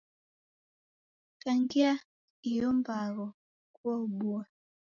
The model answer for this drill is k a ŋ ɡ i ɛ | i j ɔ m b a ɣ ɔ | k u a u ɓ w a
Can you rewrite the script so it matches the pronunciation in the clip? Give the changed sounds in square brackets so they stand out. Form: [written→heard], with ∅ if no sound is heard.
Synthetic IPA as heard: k a ŋ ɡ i [ɛ→a] | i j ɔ m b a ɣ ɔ | k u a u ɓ [w→u] a

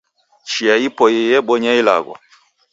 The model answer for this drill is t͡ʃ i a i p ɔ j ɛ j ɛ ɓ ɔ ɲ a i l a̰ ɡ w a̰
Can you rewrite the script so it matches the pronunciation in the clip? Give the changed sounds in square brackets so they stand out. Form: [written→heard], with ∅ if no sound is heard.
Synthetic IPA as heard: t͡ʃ i a i p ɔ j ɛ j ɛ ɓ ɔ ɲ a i l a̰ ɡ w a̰

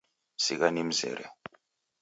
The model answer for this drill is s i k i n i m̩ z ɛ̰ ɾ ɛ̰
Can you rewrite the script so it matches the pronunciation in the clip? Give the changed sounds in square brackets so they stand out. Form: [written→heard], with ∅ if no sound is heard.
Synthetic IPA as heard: s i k [i→a] n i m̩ z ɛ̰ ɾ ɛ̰

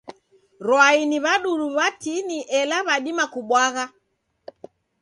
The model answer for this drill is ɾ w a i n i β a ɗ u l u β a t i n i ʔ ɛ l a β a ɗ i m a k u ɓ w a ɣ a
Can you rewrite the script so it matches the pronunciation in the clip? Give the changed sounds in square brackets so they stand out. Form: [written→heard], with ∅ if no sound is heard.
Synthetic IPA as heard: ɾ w a i n i β a ɗ u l u β a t i n i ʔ ɛ l a β a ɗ i m a k u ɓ w a ɣ a

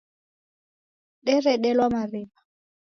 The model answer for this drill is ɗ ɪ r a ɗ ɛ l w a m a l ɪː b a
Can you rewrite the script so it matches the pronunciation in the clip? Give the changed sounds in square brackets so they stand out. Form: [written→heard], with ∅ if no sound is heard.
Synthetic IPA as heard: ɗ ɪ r [a→ɛ] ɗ ɛ l w a m a [l→r] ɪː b a

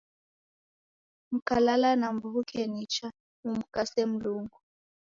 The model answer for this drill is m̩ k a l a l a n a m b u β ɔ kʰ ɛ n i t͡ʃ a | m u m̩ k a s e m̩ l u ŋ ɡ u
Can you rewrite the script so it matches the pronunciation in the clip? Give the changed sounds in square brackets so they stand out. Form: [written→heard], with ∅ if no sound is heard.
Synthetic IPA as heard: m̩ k a l a l a n a m b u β [ɔ→u] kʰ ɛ n i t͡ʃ a | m u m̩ k a s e m̩ l u ŋ ɡ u

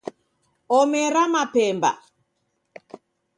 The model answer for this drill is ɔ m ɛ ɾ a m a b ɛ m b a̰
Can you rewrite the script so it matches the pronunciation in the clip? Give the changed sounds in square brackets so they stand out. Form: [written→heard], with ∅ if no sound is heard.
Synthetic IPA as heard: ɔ m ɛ ɾ a m a [b→p] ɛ m b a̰

